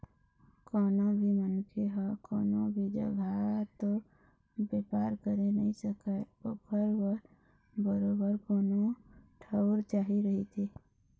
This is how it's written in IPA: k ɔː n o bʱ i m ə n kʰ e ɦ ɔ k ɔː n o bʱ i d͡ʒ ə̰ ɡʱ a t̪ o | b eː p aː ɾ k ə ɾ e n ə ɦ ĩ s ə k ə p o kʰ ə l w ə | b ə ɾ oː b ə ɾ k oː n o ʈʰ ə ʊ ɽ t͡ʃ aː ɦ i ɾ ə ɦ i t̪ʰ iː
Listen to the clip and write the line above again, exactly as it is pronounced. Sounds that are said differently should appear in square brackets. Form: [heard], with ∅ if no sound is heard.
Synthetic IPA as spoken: k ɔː n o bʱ i m ə n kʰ e ɦ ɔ k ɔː n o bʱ i d͡ʒ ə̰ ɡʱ a t̪ o | b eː p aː ɾ k ə ɾ e n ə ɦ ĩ s ə k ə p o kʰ ə [ɾ] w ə | b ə ɾ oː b ə ɾ k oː n o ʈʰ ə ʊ [ɾ] t͡ʃ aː ɦ i ɾ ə ɦ i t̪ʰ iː